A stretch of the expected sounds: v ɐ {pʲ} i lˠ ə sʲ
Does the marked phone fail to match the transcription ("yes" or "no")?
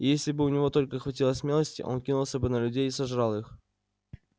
yes